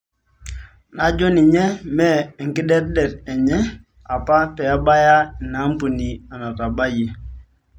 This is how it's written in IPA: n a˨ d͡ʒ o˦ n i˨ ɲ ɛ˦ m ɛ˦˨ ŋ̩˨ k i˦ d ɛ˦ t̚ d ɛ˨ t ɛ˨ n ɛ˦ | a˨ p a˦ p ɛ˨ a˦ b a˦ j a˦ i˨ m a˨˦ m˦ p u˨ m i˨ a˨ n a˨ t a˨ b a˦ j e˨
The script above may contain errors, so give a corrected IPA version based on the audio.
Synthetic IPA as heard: n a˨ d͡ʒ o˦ n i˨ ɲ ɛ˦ m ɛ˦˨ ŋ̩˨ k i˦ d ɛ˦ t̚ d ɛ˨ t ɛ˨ ɲ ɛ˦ | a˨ p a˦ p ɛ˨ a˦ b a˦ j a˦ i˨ n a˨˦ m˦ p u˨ n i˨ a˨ n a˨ t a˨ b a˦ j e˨